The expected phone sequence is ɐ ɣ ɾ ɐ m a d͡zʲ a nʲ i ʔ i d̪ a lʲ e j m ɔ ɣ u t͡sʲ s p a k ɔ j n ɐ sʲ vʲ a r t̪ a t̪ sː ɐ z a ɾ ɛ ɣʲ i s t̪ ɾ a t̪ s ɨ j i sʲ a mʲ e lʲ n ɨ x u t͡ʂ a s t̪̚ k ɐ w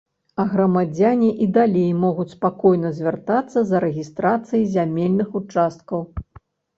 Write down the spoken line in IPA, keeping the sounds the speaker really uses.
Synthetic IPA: ɐ ɣ ɾ ɐ m a d͡zʲ a nʲ i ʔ i d̪ a lʲ e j m ɔ ɣ u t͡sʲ s p a k ɔ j n ɐ zʲ vʲ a r t̪ a t̪ sː ɐ z ɐ ɾ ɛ ɣʲ i s t̪ ɾ a t̪ s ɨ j i zʲ a mʲ e lʲ n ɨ x u t͡ʂ a s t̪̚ k ɐ w

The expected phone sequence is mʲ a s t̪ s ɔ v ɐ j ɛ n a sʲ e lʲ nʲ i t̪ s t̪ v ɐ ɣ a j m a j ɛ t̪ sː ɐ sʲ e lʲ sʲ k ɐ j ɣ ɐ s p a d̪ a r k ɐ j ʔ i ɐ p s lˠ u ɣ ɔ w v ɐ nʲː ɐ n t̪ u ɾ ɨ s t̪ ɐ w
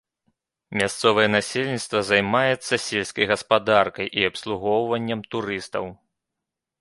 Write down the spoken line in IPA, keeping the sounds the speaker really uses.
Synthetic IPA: mʲ a s t̪ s ɔ v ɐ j ɛ n a sʲ e lʲ nʲ i t̪ s t̪ v ɐ z a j m a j ɛ t̪ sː ɐ sʲ e lʲ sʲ k ɐ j ɣ ɐ s p a d̪ a r k ɐ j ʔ i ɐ p s lˠ u ɣ ɔ w v ɐ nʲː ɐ m t̪ u ɾ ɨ s t̪ ɐ w

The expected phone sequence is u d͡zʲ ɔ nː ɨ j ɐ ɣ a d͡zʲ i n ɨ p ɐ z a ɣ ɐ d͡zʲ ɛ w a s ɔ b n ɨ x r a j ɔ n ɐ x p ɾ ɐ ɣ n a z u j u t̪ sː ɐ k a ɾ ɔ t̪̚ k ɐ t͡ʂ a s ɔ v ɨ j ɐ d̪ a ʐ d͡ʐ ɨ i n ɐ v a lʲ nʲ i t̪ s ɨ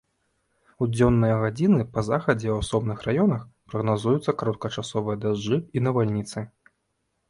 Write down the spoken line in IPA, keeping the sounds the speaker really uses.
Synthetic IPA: u d͡zʲ ɔ nː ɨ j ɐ ɣ a d͡zʲ i n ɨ p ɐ z a x ɐ d͡zʲ ɛ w a s ɔ b n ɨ x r a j ɔ n ɐ x p ɾ ɐ ɣ n a z u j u t̪ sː ɐ k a ɾ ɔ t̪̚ k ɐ t͡ʂ a s ɔ v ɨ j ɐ d̪ a ʐ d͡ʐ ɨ i n ɐ v a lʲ nʲ i t̪ s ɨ

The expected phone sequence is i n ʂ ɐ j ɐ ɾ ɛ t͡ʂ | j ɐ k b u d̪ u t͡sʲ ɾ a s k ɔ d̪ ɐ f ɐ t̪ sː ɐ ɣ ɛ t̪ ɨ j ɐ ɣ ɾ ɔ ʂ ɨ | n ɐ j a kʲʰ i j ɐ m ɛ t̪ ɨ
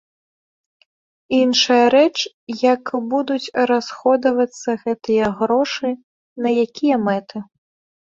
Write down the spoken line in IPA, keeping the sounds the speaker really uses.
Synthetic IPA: i n ʂ ɐ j ɐ ɾ ɛ t͡ʂ | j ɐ k b u d̪ u t͡sʲ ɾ a s x ɔ d̪ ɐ v ɐ t̪ sː ɐ ɣ ɛ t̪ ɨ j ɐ ɣ ɾ ɔ ʂ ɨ | n ɐ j a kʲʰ i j ɐ m ɛ t̪ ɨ

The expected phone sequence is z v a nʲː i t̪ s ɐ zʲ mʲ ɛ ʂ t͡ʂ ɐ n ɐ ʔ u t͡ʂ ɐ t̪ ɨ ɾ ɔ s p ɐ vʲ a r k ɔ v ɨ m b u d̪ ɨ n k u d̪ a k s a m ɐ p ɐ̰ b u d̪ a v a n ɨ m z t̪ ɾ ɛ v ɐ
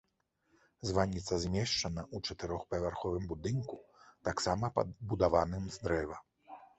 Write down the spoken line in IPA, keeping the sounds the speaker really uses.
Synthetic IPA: z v a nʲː i t̪ s ɐ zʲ mʲ ɛ ʂ t͡ʂ ɐ n ɐ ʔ u t͡ʂ ɐ t̪ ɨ ɾ ɔ x p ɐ vʲ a r x ɔ v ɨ m b u d̪ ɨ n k u t̪ a k s a m ɐ p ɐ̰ b u d̪ a v a n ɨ m z d̪ ɾ ɛ v ɐ

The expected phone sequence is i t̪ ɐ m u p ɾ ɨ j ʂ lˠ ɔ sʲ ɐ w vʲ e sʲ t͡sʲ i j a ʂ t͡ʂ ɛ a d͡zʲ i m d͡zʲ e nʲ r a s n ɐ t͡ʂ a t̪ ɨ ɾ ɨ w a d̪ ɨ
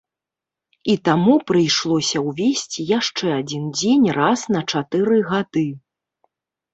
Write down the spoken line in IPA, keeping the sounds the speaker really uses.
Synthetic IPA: i t̪ a m u p ɾ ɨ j ʂ lˠ ɔ sʲ ɐ w vʲ e sʲ t͡sʲ i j a ʂ t͡ʂ ɛ a d͡zʲ i n d͡zʲ e nʲ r a s n ɐ t͡ʂ a t̪ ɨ ɾ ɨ ɣ a d̪ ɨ

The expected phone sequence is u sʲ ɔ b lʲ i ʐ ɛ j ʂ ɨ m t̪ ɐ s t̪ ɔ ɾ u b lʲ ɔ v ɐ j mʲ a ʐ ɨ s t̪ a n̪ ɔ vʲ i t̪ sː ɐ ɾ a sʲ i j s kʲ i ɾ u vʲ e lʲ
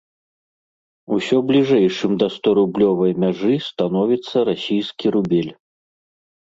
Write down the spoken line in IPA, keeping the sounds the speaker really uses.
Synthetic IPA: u sʲ ɔ b lʲ i ʐ ɛ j ʂ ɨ m d̪ ɐ s t̪ ɔ ɾ u b lʲ ɔ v ɐ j mʲ a ʐ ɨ s t̪ a n̪ ɔ vʲ i t̪ sː ɐ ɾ a sʲ i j s kʲ i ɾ u bʲ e lʲ

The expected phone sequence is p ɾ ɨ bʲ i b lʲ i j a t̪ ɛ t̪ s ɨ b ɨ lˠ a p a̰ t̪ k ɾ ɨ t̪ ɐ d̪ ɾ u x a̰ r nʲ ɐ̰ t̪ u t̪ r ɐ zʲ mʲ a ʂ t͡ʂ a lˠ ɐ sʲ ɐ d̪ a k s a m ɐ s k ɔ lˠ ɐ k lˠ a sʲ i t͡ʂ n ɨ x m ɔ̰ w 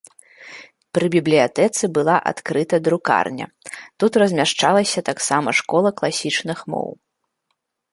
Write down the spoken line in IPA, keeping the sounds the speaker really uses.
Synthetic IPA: p ɾ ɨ bʲ i b lʲ i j a t̪ ɛ t̪ s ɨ b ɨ lˠ a ʔ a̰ t̪ k ɾ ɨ t̪ ɐ d̪ ɾ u k a̰ r nʲ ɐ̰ t̪ u t̪ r ɐ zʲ mʲ a ʂ t͡ʂ a lˠ ɐ sʲ ɐ t̪ a k s a m ɐ ʂ k ɔ lˠ ɐ k lˠ a sʲ i t͡ʂ n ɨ x m ɔ̰ w

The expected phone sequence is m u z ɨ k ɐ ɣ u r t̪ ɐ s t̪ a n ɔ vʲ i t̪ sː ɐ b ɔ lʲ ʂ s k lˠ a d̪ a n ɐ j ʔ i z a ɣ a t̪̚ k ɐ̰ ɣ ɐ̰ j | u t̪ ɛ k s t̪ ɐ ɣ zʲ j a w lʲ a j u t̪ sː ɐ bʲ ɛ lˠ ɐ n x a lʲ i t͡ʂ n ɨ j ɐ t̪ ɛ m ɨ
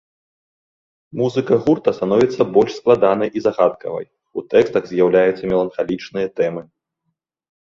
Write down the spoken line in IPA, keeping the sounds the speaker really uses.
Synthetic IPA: m u z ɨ k ɐ ɣ u r t̪ ɐ s t̪ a n ɔ vʲ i t̪ sː ɐ b ɔ lʲ ʂ s k lˠ a d̪ a n ɐ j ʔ i z a ɣ a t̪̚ k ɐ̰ v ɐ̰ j | u t̪ ɛ k s t̪ ɐ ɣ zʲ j a w lʲ a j u t̪ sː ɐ mʲ ɛ lˠ ɐ n x a lʲ i t͡ʂ n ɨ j ɐ t̪ ɛ m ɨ

